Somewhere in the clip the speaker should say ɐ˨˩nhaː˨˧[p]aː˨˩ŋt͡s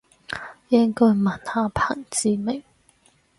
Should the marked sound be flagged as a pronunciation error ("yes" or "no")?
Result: yes